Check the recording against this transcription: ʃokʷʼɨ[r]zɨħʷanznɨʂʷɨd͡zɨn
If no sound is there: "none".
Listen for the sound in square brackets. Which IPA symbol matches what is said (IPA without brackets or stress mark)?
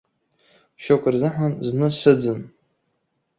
r